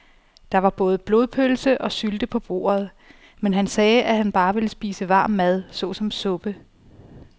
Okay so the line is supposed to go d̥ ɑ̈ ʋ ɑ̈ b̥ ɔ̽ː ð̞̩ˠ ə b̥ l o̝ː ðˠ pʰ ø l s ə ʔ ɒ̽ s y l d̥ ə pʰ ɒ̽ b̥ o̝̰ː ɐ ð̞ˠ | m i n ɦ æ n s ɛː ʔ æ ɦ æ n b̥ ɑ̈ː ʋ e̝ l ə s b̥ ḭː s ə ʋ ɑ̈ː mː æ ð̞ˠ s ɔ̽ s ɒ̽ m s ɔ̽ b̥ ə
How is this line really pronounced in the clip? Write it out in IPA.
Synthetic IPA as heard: d̥ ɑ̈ ʋ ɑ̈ b̥ ɔ̽ː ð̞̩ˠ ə b̥ l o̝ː ðˠ pʰ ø l s ə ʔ ɒ̽ s y l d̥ ə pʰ ɒ̽ b̥ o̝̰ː ɐ ð̞ˠ | m e n ɦ æ n s ɛː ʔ æ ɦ æ n b̥ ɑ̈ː ʋ e̝ l ə s b̥ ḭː s ə ʋ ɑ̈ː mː æ ð̞ˠ s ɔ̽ s ɒ̽ m s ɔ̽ b̥ ə